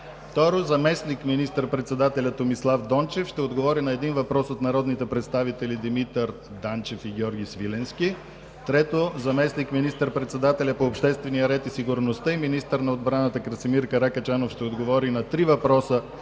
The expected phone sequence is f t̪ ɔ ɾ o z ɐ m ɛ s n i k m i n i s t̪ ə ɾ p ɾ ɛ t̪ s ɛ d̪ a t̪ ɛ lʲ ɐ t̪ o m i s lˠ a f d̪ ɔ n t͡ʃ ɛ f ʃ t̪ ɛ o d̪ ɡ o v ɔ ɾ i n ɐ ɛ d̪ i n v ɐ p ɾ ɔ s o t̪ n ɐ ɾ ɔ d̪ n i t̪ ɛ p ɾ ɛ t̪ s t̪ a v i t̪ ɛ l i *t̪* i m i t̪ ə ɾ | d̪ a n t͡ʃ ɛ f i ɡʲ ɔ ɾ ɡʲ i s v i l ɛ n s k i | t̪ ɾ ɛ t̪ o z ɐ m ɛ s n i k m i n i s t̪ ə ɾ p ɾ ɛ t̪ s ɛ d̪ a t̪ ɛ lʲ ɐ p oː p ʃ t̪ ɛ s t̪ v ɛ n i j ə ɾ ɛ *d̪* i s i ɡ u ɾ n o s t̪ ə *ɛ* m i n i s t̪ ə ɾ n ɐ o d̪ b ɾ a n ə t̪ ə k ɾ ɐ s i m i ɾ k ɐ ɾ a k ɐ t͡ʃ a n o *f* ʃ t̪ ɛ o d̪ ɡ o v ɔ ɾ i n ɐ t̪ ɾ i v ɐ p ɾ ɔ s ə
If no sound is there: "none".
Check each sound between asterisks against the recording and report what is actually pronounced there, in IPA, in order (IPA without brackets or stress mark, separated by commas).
d̪, t̪, i, f